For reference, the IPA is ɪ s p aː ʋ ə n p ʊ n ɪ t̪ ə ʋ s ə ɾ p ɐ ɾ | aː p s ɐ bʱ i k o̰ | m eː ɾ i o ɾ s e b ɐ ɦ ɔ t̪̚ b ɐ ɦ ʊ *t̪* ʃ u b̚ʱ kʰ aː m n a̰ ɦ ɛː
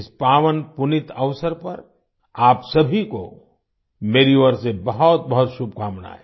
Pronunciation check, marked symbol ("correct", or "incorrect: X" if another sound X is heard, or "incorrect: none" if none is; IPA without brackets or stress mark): correct